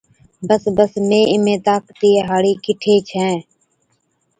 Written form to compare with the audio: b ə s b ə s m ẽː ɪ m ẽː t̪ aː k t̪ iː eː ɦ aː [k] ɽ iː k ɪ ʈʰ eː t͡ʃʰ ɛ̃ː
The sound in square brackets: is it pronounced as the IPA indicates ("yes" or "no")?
no